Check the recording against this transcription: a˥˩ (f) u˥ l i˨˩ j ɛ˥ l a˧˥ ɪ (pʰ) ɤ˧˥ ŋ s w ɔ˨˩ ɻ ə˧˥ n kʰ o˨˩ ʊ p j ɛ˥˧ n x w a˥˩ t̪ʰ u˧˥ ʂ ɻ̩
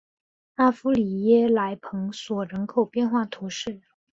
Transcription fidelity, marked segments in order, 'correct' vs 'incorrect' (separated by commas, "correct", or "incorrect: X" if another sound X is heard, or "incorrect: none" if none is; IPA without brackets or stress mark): correct, correct